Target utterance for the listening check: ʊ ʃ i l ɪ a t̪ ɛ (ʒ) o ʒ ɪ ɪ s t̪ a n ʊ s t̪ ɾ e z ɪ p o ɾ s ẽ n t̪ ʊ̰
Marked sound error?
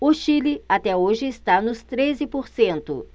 yes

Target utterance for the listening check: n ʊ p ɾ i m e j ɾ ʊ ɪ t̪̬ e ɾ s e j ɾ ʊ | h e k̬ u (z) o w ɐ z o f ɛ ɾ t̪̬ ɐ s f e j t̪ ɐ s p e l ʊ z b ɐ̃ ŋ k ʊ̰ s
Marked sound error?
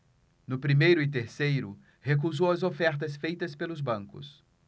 no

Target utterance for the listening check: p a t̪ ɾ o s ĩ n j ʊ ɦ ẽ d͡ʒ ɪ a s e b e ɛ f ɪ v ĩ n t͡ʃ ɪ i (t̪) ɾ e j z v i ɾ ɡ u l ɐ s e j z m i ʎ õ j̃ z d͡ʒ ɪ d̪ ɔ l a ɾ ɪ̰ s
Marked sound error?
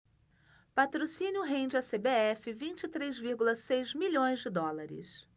no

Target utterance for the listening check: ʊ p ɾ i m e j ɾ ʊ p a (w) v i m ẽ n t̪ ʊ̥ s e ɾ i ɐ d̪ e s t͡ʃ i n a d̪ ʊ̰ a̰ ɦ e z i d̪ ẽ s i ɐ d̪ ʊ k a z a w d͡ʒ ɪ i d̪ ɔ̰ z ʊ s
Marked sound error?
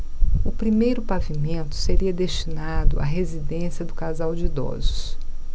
yes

